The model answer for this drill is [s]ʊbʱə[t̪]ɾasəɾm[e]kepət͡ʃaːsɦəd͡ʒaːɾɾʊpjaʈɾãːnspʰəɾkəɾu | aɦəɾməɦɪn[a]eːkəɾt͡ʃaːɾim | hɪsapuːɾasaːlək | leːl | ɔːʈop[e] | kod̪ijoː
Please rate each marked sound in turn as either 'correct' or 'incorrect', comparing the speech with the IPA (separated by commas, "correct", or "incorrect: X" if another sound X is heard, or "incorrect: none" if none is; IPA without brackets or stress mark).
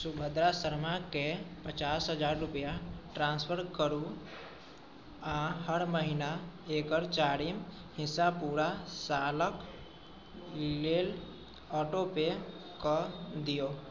correct, incorrect: d̪, incorrect: a, correct, correct